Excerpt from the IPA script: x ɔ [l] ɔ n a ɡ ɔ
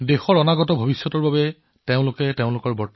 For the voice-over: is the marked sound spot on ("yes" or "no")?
no